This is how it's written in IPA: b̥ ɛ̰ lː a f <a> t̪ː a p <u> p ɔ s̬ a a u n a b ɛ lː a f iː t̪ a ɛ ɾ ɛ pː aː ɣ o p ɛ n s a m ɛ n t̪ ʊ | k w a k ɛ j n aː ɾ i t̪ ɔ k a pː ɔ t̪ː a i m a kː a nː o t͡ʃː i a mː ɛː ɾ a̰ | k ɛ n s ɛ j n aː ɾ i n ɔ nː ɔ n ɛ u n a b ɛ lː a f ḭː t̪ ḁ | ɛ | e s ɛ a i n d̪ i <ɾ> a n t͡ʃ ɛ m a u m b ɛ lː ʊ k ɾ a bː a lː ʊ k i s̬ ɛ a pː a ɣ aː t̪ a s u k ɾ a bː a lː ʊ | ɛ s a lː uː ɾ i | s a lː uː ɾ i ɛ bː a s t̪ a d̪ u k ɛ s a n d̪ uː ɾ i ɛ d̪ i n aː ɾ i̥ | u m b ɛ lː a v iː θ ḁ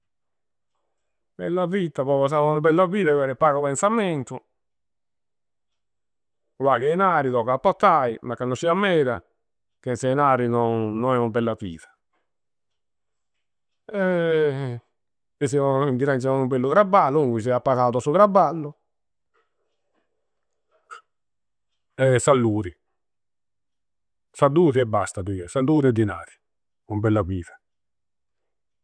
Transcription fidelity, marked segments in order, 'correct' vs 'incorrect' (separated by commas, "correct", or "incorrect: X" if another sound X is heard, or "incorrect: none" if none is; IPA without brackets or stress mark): incorrect: i, incorrect: ɔ, correct